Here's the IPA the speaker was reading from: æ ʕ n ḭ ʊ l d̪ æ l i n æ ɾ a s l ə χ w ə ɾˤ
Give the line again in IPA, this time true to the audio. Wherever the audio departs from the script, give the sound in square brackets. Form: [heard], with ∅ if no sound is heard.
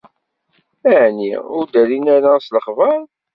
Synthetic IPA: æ ʕ n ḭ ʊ [ɾ] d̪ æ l i n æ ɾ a s l ə χ [v] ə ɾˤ